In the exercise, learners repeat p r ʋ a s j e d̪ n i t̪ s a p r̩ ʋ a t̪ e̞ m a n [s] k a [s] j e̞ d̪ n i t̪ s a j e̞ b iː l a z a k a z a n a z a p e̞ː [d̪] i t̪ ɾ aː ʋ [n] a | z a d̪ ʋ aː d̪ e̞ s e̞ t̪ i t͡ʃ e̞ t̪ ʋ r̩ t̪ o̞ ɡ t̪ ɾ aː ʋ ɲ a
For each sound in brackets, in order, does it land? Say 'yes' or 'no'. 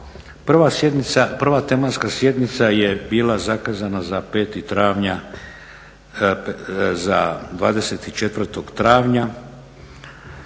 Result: yes, yes, no, no

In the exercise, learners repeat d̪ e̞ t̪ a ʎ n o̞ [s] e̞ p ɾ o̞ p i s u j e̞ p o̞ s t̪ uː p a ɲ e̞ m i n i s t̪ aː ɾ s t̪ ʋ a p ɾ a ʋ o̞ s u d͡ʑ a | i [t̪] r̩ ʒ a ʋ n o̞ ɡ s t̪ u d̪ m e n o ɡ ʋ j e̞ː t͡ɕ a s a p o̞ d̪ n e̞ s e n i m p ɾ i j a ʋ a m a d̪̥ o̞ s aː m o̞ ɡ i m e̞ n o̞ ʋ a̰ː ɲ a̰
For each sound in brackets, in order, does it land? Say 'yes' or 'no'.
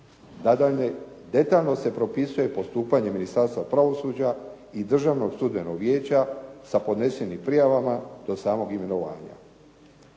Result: yes, no

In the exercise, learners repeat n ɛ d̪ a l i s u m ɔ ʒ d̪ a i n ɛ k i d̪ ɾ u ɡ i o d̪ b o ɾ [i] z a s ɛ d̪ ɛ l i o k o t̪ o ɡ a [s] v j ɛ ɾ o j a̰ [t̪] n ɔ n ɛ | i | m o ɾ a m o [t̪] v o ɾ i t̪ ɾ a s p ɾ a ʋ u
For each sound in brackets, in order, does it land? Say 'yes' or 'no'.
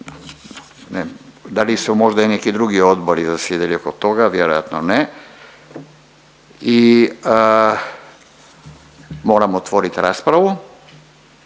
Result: yes, no, yes, yes

